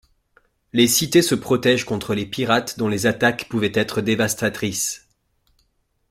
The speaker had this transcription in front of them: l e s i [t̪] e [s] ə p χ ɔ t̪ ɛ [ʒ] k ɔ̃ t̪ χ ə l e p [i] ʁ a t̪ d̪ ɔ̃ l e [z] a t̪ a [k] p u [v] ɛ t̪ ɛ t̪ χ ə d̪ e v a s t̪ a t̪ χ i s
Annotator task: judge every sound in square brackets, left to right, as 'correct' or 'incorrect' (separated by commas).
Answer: correct, correct, correct, correct, correct, correct, correct